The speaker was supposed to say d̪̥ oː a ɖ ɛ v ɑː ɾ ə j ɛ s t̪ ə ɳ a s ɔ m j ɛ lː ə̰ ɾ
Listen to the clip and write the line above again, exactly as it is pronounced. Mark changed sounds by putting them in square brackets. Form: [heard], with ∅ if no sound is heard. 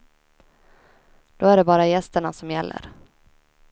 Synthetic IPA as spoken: d̪̥ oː [æ] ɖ ɛ [b] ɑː ɾ [a] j ɛ s t̪ ə ɳ a s ɔ m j ɛ lː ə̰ ɾ